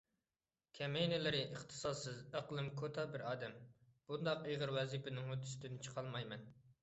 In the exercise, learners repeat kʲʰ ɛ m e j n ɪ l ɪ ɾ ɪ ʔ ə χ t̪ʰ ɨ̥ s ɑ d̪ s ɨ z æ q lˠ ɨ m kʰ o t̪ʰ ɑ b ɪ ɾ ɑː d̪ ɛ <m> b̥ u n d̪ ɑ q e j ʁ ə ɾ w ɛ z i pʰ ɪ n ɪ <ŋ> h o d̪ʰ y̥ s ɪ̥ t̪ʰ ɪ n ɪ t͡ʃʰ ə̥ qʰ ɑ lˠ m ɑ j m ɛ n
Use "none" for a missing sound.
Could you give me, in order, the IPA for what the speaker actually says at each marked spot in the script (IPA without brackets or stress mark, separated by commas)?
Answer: m, ŋ